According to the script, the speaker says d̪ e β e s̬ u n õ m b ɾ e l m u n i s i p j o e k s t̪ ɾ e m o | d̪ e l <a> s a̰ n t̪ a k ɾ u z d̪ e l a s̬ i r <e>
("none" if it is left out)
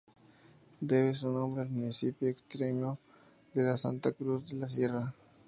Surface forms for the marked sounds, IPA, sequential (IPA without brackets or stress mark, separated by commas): a, a